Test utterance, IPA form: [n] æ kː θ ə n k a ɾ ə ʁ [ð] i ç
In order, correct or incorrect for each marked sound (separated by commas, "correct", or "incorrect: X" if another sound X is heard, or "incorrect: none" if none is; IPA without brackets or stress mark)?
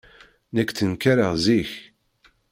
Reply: correct, incorrect: z